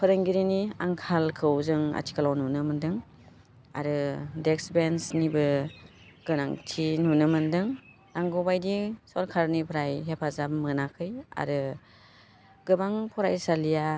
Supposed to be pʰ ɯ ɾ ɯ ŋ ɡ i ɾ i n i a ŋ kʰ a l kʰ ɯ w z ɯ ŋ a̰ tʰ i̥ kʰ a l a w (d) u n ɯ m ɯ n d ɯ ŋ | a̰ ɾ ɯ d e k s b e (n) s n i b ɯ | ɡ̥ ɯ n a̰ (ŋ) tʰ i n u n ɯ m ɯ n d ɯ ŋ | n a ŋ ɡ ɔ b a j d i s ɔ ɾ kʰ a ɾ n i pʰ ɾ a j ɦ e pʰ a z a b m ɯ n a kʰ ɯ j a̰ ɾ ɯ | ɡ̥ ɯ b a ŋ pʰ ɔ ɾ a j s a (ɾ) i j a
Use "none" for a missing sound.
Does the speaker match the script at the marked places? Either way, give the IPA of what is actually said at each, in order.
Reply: n, n, ŋ, l

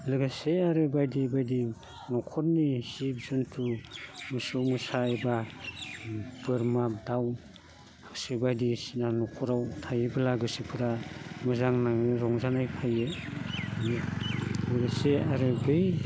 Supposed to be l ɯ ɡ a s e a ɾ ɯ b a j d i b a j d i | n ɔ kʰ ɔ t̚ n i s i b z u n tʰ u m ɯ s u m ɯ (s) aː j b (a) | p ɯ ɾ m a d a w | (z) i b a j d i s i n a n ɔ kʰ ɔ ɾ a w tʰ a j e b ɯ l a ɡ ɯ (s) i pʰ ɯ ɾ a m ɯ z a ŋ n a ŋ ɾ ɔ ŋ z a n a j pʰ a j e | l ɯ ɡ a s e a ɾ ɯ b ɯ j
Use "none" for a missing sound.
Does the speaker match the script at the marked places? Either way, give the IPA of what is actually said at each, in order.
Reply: s, a, s, s

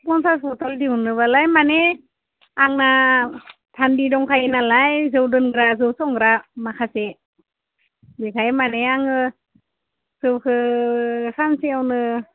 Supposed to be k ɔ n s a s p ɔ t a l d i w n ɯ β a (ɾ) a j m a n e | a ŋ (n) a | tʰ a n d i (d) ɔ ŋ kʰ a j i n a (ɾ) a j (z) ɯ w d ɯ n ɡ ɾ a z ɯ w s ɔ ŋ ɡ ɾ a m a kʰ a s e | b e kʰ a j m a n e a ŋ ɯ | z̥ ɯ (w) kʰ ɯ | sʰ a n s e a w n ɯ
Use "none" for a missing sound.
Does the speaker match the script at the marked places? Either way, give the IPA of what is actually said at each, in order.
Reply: l, n, d, l, z, w

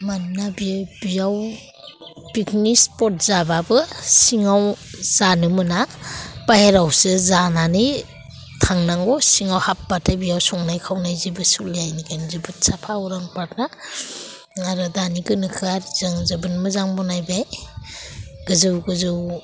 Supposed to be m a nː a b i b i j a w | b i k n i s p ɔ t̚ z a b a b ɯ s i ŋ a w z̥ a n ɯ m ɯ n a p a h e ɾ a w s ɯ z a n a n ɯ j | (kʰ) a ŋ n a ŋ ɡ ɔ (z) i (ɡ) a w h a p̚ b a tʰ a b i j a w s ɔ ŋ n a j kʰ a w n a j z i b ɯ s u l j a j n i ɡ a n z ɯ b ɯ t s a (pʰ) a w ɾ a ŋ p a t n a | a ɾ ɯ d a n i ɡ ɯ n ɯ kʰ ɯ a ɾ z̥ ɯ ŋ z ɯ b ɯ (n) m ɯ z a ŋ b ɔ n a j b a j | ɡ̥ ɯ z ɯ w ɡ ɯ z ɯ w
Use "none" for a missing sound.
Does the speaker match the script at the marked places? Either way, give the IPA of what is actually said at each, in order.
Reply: tʰ, s, ŋ, pʰ, n

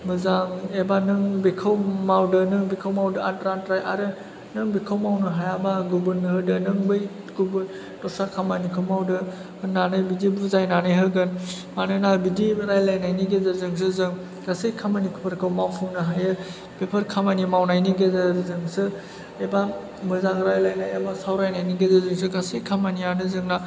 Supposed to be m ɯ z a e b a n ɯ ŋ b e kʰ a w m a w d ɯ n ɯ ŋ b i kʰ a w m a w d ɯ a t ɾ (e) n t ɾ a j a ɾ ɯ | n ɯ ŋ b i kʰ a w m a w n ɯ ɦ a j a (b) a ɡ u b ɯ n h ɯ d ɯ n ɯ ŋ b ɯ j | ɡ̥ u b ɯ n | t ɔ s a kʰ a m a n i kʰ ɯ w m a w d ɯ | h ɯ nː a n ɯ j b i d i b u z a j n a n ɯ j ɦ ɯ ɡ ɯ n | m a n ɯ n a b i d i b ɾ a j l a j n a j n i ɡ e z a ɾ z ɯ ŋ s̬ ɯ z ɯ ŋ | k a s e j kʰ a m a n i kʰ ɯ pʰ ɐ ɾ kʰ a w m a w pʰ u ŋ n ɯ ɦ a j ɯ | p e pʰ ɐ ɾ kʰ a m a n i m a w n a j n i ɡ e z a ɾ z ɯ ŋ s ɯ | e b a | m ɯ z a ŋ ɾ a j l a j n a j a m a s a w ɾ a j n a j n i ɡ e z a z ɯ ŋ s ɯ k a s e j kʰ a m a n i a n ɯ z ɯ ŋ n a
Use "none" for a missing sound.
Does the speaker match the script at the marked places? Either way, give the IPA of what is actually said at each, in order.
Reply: a, b

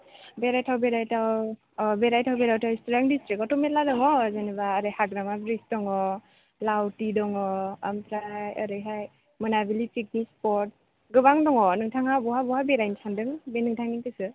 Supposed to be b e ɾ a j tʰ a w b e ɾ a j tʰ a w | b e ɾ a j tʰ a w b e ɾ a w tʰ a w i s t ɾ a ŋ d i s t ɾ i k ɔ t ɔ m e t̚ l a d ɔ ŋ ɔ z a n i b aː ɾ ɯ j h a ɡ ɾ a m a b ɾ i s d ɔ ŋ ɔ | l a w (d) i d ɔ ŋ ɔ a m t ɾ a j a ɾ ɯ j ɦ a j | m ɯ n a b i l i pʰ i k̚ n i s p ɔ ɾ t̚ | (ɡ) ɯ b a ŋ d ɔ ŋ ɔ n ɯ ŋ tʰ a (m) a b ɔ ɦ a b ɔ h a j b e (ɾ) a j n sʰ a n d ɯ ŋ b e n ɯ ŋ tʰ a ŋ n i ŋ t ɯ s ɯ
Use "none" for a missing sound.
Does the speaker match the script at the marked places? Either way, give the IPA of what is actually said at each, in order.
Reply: t, ɡ, ŋ, ɾ

